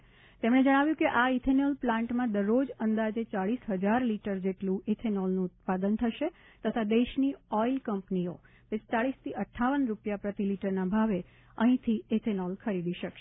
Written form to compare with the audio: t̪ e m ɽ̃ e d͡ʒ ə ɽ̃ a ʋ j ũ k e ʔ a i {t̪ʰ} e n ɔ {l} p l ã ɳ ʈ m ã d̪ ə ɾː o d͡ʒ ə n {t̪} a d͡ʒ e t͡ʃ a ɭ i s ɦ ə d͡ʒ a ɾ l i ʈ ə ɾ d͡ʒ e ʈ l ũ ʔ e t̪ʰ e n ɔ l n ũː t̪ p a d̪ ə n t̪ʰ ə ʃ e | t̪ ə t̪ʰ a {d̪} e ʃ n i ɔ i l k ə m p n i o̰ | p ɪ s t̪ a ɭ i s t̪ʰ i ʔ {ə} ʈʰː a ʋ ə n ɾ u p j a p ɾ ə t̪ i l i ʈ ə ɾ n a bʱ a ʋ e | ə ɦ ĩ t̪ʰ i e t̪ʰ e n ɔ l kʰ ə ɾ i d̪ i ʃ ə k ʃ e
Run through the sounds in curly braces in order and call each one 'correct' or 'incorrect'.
correct, correct, incorrect: d̪, correct, correct

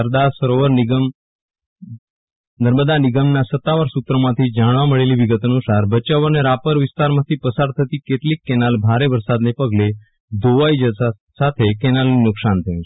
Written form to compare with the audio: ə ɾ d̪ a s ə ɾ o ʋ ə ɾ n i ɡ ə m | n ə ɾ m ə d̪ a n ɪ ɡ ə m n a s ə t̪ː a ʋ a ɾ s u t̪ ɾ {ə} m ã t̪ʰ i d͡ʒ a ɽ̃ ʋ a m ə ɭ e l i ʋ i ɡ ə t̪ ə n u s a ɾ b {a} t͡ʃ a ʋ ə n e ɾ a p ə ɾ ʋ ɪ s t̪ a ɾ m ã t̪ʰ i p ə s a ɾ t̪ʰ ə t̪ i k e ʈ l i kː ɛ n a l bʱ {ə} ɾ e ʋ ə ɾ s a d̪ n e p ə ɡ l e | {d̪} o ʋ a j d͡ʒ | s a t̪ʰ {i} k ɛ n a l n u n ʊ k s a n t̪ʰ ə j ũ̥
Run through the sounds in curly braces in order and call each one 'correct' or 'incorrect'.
correct, incorrect: ə, incorrect: a, correct, incorrect: e

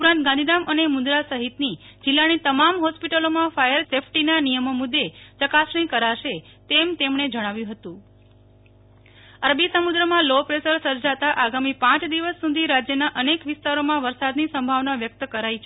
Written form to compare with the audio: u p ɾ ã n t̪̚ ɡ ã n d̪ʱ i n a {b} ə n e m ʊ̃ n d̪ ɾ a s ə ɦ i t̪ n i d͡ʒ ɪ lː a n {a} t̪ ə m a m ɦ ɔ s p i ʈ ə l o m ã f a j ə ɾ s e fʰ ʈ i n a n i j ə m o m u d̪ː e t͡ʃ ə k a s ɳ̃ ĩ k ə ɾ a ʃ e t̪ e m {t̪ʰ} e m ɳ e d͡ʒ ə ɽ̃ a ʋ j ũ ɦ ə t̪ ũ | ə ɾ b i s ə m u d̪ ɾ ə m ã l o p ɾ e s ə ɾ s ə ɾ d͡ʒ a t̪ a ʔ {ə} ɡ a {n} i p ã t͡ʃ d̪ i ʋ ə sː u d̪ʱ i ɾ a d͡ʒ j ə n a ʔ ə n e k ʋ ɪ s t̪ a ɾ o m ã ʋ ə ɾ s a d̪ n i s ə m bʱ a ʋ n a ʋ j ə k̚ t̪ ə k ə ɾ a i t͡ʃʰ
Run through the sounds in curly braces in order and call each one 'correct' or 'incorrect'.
incorrect: m, incorrect: i, incorrect: t̪, incorrect: a, incorrect: m

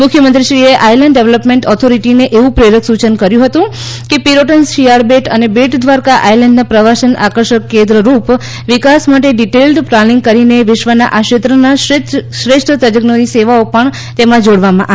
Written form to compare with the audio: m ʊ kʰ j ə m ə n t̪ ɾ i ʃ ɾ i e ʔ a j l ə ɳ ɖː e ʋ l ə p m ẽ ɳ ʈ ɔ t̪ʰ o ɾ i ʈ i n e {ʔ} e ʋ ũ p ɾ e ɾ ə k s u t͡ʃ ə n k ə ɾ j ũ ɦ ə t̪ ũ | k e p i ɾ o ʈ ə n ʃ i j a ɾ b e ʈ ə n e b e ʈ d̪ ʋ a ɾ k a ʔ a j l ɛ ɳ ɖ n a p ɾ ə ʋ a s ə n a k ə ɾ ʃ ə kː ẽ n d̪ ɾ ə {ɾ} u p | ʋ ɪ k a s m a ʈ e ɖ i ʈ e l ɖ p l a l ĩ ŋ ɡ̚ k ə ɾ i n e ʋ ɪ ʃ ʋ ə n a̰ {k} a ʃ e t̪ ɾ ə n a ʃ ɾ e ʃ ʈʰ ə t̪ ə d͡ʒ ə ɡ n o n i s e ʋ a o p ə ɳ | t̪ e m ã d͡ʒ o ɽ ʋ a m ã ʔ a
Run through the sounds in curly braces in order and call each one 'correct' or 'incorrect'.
correct, correct, incorrect: ʔ

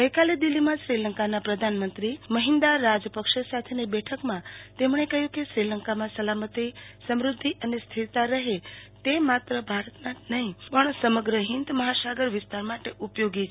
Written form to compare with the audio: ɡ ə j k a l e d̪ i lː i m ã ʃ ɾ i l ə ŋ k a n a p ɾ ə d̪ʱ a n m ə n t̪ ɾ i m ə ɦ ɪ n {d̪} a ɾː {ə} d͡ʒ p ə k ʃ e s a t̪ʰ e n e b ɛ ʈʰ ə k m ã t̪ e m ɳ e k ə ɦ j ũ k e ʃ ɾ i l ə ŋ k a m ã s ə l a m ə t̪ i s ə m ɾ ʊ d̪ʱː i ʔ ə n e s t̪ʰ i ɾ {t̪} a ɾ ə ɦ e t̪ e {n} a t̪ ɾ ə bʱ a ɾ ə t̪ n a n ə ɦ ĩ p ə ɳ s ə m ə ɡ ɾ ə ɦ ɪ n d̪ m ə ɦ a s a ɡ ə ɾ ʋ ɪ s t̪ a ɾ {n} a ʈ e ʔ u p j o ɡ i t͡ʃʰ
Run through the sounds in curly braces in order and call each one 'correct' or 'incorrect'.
correct, incorrect: a, correct, incorrect: m, incorrect: m

